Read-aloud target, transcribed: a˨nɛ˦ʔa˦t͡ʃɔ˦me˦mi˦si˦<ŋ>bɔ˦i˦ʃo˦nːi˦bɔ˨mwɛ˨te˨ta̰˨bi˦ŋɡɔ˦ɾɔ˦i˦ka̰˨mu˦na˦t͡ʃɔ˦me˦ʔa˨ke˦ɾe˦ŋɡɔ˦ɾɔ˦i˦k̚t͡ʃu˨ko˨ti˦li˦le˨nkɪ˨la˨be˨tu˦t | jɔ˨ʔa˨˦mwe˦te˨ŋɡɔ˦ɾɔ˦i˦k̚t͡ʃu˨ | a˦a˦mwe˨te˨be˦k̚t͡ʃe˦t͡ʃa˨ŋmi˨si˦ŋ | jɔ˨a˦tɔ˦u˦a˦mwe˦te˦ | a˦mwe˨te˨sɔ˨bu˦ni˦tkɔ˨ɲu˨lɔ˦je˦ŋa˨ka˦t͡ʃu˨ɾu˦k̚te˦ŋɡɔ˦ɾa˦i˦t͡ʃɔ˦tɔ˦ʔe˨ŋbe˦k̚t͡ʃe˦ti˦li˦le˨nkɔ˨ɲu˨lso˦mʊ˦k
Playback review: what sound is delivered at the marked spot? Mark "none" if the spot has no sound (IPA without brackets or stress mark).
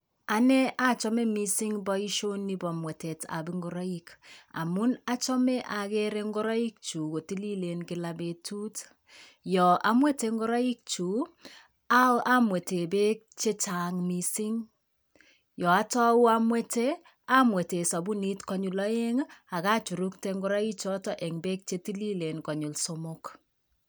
ŋ